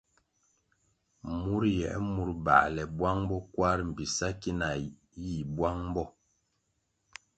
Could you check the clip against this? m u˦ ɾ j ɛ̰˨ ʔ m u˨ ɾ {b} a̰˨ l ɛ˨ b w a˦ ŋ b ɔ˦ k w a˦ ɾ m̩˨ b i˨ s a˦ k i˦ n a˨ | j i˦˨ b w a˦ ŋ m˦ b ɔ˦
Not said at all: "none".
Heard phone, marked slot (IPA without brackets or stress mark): b